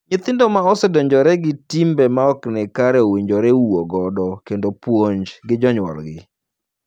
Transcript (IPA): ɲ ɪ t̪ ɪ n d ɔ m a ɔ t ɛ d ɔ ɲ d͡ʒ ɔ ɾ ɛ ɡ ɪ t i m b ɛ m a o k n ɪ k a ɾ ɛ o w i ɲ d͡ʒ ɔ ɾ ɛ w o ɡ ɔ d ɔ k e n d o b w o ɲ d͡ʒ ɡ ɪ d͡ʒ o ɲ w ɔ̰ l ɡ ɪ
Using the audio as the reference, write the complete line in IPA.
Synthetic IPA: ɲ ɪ t̪ ɪ n d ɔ m a ɔ s ɛ d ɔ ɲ d͡ʒ ɔ ɾ ɛ ɡ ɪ t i m b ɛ m a ɔ k n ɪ k a ɾ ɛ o w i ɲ d͡ʒ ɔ ɾ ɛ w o ɡ ɔ d ɔ k e n d o p w o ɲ d͡ʒ ɡ ɪ d͡ʒ ɔ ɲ w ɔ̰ l ɡ ɪ

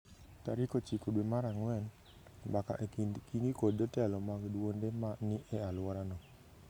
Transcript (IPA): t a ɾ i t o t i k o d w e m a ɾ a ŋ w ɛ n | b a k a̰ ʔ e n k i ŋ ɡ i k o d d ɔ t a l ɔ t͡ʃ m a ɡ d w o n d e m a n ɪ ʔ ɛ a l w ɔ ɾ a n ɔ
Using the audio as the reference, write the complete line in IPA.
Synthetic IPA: t a ɾ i k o t͡ʃ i k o d w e m a ɾ a ŋ w ɛ n | b a k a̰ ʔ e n k i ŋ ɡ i k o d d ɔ t ɛ l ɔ m a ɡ d w o n d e m a n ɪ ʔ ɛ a l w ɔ ɾ a n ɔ

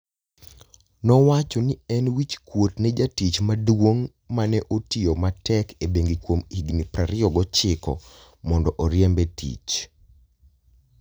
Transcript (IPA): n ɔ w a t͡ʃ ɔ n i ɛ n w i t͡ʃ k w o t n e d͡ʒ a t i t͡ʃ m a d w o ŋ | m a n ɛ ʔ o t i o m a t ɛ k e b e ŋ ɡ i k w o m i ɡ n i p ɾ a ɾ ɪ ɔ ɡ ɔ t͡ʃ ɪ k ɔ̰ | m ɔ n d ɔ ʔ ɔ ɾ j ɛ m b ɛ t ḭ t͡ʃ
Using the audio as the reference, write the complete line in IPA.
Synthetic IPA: n ɔ w a t͡ʃ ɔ n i ɛ n w i t͡ʃ k w o t n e d͡ʒ a t i t͡ʃ m a d w o ŋ | m a n ɛ ʔ o t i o m a t ɛ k e b e ŋ ɡ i k w o m i ɡ n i p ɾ a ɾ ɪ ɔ ɡ ɔ t͡ʃ ɪ k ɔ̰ | m ɔ n d ɔ ʔ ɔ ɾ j ɛ m b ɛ t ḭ t͡ʃ

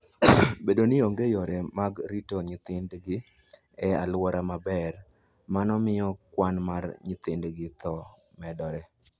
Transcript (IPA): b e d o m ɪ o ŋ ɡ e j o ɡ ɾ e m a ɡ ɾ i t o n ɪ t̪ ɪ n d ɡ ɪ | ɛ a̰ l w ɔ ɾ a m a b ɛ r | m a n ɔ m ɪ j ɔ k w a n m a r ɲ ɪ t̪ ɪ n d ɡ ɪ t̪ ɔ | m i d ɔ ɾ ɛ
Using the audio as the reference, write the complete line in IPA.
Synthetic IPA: b e d o n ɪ o ŋ ɡ e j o ɾ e m a ɡ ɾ i t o ɲ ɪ t̪ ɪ n d ɡ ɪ | ɛ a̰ l w ɔ ɾ a m a b ɛ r | m a n ɔ m ɪ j ɔ k w a n m a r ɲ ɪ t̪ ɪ n d ɡ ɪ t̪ ɔ | m ɛ d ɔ ɾ ɛ

